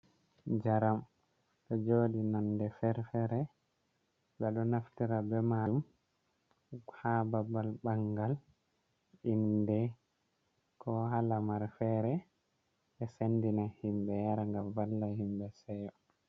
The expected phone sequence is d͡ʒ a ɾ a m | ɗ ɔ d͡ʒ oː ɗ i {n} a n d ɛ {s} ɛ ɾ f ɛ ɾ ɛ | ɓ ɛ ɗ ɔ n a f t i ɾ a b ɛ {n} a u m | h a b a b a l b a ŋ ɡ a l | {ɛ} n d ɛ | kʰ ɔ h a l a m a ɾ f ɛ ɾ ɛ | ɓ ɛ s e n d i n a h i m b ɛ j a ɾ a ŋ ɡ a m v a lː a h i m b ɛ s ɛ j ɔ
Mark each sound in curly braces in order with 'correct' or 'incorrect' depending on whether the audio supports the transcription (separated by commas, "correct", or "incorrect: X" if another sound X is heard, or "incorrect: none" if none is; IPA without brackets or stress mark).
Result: correct, incorrect: f, incorrect: m, incorrect: i